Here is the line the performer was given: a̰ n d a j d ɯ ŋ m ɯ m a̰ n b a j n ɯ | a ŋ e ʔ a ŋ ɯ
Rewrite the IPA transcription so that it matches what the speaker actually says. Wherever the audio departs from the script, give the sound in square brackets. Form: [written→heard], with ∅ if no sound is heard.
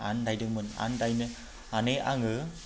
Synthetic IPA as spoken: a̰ n d a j d ɯ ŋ m ɯ [m→n] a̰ n [b→d] a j n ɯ | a [ŋ→n] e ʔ a ŋ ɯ